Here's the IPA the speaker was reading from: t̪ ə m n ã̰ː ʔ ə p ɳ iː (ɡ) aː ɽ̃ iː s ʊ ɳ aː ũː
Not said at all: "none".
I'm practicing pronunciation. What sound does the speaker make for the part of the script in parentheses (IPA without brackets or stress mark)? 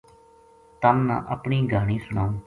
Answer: ɡ